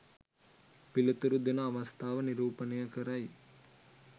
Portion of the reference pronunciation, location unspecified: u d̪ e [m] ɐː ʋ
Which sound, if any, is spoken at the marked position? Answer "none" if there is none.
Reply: n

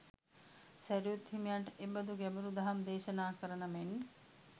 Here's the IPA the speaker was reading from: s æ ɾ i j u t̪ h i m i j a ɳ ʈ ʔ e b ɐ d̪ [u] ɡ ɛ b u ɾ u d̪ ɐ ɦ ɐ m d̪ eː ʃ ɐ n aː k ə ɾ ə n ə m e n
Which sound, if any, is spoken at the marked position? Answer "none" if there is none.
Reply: u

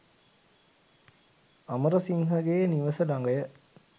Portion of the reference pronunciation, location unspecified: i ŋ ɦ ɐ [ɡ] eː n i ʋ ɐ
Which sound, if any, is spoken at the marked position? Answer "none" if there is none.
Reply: ɡ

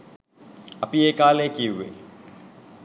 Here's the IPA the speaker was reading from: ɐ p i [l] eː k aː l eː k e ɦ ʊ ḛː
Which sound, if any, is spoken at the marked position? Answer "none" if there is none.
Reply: none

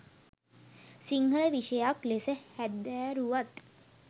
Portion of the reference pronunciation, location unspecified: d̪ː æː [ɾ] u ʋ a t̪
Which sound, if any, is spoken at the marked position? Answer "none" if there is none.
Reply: ɾ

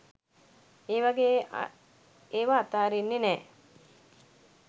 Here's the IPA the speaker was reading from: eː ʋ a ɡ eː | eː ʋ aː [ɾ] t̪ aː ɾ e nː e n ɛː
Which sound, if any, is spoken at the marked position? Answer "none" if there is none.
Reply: none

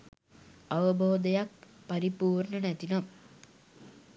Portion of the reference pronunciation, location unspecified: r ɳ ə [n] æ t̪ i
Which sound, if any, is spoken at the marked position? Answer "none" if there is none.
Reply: n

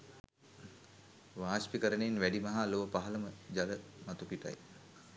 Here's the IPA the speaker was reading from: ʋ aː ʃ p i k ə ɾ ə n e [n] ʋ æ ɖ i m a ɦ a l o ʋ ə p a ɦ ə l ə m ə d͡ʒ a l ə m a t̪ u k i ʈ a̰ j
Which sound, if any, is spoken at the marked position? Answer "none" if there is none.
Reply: n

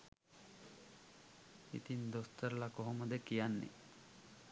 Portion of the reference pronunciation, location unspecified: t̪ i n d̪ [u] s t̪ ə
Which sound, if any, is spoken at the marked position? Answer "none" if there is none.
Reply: o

